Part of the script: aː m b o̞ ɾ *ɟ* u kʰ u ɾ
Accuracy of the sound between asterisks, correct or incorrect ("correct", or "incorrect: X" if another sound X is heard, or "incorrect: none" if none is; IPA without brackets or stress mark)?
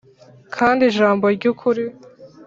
correct